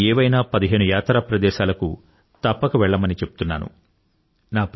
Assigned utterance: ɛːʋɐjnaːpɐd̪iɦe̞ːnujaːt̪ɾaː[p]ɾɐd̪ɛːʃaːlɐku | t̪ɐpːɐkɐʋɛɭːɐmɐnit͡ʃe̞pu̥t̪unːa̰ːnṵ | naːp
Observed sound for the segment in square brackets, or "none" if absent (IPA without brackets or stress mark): p